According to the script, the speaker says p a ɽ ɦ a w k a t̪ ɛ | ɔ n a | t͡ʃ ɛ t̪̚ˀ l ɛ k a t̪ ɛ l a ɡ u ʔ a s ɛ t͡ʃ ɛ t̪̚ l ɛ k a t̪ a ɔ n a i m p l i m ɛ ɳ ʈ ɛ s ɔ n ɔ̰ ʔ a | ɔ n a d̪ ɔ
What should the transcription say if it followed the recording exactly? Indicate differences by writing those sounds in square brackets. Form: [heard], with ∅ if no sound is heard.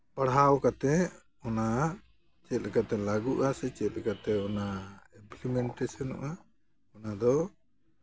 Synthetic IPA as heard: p a ɽ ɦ a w k a t̪ ɛ | ɔ n a | t͡ʃ ɛ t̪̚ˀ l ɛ k a t̪ ɛ l a ɡ u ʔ a s ɛ t͡ʃ ɛ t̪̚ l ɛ k a t̪ [ɛ] ɔ n a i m p l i m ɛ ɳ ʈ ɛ s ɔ n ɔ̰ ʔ a | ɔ n a d̪ ɔ